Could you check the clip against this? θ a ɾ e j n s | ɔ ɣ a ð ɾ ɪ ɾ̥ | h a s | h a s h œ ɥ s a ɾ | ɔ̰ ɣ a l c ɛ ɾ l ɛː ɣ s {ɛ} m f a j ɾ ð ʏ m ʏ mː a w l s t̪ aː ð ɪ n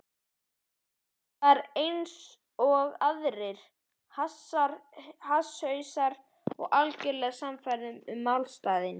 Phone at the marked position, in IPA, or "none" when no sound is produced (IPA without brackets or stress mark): a